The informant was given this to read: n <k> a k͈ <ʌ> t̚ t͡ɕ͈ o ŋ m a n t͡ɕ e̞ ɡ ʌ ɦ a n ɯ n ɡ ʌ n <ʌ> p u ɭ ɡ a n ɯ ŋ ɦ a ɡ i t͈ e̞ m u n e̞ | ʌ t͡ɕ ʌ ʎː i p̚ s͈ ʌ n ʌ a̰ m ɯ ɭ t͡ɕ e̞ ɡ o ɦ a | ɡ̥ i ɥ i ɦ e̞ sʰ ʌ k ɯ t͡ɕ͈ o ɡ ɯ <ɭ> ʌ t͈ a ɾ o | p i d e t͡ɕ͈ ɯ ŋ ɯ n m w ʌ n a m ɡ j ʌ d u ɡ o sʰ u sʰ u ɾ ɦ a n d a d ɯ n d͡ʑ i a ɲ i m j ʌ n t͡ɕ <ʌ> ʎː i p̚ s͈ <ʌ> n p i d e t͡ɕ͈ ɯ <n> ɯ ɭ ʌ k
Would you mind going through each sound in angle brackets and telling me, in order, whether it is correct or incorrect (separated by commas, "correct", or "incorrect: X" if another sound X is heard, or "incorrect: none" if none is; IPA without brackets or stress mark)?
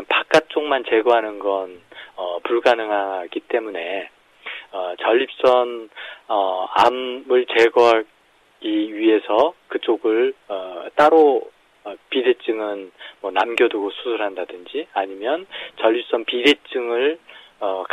incorrect: p, incorrect: a, correct, correct, correct, correct, incorrect: ŋ